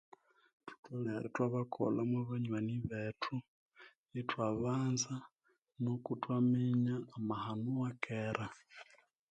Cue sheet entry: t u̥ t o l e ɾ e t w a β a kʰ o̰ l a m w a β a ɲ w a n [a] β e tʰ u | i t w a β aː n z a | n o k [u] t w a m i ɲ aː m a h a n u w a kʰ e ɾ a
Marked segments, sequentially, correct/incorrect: incorrect: i, correct

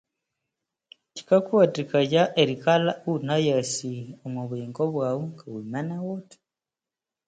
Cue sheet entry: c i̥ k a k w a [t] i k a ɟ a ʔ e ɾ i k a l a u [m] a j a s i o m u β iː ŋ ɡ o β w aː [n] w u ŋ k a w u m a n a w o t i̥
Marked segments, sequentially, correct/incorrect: correct, incorrect: n, incorrect: none

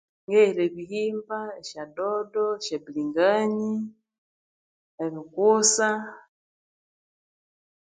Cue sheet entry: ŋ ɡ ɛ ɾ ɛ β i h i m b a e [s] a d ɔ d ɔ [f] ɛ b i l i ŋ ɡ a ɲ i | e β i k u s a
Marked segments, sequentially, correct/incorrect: incorrect: ʃ, incorrect: ʃ

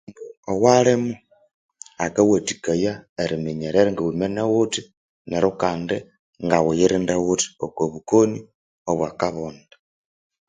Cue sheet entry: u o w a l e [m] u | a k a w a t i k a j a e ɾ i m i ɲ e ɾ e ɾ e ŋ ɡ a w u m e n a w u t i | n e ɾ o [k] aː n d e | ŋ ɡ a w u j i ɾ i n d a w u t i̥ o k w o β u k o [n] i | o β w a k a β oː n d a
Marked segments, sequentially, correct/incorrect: correct, correct, correct

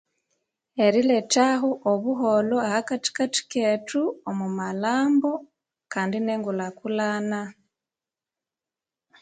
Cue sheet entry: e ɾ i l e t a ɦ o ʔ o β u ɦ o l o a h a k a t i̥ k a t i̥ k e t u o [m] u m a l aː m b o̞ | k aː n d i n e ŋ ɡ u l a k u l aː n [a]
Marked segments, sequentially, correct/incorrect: correct, correct

